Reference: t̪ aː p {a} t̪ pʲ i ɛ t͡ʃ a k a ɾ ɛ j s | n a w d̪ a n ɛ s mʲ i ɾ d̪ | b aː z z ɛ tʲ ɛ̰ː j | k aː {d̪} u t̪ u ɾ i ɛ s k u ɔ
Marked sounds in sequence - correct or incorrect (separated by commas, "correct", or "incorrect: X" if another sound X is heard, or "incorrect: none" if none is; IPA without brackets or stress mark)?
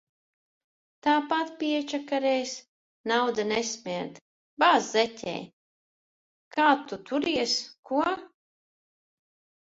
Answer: correct, incorrect: t̪